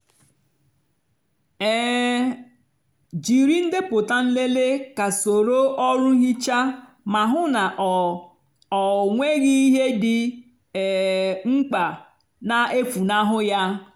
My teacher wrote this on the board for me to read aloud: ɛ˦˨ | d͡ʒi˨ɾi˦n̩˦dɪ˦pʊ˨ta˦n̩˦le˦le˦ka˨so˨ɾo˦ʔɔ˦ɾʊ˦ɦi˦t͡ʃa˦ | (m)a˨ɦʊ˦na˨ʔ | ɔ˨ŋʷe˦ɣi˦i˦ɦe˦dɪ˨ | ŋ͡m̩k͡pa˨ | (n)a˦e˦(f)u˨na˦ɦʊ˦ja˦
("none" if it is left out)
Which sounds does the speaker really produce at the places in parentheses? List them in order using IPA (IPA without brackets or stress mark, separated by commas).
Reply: m, n, f